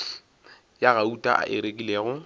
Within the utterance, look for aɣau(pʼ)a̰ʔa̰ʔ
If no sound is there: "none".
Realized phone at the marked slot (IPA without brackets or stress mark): tʼ